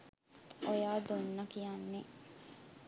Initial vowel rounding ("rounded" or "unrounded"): rounded